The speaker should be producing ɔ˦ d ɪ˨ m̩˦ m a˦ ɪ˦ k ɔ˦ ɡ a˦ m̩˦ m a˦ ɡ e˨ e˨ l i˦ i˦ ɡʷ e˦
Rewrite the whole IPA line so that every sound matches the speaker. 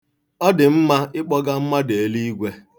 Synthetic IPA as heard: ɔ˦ d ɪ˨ m̩˦ m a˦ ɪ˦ k͡p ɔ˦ ɡ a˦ m̩˦ m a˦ d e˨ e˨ l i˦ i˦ ɡʷ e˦